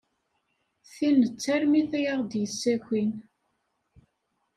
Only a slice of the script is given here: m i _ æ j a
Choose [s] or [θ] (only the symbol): θ